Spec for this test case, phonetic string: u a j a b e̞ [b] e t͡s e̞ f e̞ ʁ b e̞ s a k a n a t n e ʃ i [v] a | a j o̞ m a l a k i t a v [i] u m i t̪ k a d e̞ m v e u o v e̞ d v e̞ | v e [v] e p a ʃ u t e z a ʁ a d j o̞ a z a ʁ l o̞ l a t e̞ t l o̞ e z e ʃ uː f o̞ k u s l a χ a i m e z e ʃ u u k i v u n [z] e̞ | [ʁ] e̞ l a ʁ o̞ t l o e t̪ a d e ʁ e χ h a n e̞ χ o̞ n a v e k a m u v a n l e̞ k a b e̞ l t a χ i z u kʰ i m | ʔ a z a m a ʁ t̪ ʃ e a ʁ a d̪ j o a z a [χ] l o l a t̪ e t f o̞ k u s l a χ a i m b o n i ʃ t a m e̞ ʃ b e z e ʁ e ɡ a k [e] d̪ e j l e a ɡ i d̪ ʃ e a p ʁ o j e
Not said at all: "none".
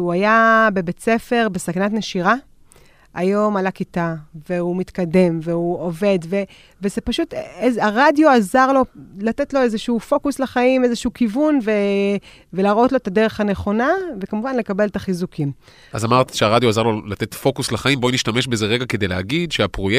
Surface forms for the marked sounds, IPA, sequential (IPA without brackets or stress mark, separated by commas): b, ʁ, e, z, v, v, ʁ, e